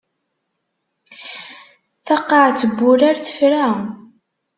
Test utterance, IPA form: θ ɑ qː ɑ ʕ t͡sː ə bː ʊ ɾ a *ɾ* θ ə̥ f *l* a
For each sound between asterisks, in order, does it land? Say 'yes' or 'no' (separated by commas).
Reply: yes, no